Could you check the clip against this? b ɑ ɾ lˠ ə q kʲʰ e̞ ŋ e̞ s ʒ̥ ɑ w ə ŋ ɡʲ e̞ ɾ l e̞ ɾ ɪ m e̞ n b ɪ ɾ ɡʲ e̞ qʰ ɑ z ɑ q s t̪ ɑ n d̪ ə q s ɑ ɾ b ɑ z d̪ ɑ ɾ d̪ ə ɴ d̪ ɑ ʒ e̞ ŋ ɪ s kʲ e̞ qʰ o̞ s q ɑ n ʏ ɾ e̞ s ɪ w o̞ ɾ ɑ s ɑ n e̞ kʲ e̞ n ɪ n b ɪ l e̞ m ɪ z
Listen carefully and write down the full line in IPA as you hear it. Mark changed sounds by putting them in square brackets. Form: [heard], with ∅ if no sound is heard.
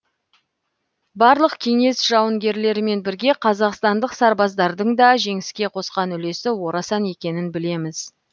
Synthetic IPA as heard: b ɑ ɾ lˠ ə q kʲʰ e̞ ŋ e̞ s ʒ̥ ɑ w ə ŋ ɡʲ e̞ ɾ l e̞ ɾ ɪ m e̞ n b ɪ ɾ ɡʲ e̞ qʰ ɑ z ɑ q s t̪ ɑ n d̪ ə q s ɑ ɾ b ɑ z d̪ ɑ ɾ d̪ ə ɴ d̪ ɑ ʒ e̞ ŋ ɪ s kʲ e̞ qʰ o̞ s q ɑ n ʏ [l] e̞ s ɪ w o̞ ɾ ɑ s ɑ n e̞ kʲ e̞ n ɪ n b ɪ l e̞ m ɪ z